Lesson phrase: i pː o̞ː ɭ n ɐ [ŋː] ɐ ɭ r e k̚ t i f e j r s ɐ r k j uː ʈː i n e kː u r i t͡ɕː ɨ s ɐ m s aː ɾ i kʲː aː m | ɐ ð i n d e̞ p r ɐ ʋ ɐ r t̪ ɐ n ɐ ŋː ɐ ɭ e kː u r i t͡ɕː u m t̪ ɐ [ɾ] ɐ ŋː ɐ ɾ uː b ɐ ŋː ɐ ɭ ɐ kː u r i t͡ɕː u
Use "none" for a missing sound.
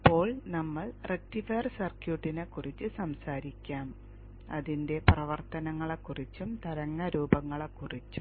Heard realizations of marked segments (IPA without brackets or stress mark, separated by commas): mː, ɾ